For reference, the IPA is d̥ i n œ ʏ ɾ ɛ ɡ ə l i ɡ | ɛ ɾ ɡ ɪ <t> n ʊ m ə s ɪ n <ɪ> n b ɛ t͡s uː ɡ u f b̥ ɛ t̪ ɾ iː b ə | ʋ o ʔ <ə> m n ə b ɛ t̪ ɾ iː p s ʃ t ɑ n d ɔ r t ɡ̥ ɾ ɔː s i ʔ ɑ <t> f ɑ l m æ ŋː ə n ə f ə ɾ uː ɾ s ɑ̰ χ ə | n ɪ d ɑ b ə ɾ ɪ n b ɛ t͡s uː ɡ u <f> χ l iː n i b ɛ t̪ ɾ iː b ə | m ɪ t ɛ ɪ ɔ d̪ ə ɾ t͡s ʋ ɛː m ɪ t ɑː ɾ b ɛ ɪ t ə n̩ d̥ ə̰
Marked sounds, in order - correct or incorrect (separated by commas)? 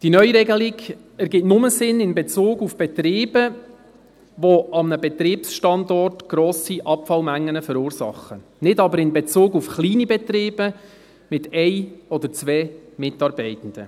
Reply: correct, correct, incorrect, incorrect, correct